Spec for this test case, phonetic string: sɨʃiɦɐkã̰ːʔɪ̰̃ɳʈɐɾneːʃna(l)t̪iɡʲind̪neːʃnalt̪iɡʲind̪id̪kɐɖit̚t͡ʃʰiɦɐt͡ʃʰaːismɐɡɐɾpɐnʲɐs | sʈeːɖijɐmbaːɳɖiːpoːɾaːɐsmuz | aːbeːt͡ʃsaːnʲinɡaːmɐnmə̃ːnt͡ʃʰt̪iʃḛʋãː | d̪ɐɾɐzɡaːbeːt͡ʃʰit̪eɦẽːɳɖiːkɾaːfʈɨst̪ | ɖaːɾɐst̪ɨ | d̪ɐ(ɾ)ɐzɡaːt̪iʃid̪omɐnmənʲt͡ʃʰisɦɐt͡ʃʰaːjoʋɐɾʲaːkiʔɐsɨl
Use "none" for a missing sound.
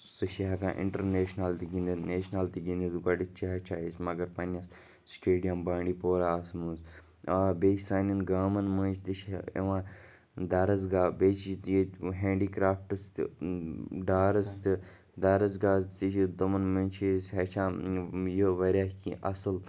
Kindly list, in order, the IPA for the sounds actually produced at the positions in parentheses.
l, ɾ

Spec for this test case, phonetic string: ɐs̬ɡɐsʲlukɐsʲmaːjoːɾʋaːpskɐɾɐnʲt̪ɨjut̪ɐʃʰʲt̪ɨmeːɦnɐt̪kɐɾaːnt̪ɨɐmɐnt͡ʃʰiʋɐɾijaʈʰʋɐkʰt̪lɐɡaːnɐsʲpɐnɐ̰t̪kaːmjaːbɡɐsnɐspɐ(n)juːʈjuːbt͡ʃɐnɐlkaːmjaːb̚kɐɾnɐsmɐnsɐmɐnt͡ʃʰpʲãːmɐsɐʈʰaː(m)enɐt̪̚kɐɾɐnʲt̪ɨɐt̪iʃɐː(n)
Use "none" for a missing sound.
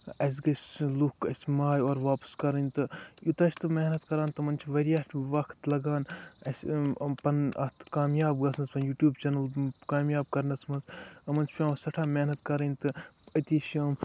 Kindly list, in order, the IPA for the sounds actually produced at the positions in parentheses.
n, m, m

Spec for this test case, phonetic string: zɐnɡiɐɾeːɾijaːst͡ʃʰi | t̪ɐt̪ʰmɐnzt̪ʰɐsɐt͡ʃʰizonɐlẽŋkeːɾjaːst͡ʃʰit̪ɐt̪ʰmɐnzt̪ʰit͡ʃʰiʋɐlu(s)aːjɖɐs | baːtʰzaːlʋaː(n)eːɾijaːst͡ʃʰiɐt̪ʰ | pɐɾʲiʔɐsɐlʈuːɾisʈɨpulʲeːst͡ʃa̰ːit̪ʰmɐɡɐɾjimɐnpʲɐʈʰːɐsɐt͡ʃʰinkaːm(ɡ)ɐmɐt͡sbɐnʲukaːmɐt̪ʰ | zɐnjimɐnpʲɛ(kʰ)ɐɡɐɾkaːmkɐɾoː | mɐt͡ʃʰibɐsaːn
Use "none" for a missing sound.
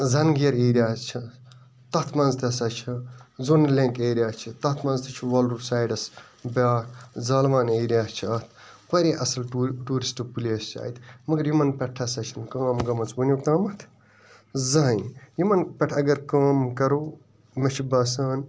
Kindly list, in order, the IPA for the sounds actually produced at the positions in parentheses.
s, n, ɡ, ʈʰ

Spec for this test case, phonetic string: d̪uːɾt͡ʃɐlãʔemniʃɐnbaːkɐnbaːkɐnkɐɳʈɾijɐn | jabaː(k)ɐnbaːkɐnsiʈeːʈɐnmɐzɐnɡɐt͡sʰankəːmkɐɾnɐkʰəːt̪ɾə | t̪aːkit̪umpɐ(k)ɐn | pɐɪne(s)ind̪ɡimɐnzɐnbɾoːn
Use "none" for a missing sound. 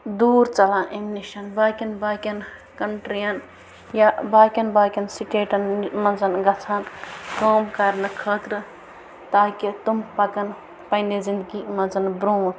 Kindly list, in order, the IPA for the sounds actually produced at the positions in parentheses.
k, k, z

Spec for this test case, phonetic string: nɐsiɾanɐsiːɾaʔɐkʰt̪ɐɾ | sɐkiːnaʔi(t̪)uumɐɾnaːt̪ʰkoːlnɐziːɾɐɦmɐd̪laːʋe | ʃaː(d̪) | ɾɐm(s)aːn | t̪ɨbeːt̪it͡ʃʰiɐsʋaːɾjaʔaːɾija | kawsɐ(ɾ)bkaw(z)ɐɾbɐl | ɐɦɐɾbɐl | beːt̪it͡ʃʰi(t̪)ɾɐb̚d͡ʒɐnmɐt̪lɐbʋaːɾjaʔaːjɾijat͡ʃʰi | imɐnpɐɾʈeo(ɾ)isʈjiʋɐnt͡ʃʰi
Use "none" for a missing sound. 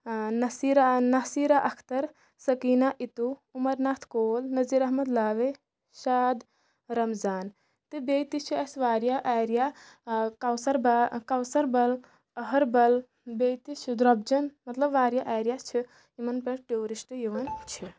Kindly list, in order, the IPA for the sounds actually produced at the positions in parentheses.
t̪, d̪, z, ɾ, s, d̪, ɾ

